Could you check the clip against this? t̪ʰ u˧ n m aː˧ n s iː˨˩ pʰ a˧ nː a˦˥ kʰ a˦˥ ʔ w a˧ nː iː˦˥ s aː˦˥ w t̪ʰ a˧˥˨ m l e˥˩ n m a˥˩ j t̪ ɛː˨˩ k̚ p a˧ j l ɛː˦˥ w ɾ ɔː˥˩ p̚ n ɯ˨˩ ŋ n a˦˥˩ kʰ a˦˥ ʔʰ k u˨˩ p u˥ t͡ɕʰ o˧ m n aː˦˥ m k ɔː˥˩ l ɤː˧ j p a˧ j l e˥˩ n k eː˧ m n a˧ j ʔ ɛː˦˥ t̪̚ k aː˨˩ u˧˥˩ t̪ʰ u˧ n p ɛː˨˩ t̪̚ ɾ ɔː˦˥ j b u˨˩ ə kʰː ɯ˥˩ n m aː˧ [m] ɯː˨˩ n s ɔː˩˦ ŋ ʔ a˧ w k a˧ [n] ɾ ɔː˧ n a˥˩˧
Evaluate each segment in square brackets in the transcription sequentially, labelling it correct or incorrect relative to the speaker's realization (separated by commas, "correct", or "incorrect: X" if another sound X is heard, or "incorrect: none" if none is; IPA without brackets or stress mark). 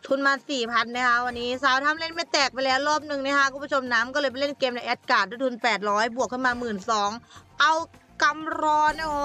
correct, incorrect: m